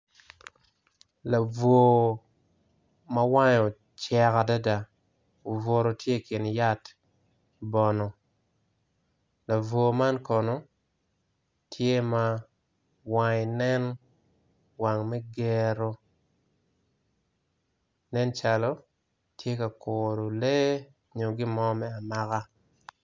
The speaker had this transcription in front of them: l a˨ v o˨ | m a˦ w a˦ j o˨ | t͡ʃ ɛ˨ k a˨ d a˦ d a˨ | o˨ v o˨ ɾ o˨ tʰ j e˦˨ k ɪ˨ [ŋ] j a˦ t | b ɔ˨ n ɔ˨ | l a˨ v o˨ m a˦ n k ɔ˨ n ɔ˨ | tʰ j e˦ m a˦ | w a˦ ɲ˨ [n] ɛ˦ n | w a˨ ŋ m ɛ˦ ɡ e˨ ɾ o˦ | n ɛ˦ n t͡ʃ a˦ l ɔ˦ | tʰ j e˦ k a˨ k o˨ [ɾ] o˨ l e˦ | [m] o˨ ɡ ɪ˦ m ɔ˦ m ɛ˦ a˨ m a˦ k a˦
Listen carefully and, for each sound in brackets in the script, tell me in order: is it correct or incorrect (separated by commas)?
incorrect, correct, correct, incorrect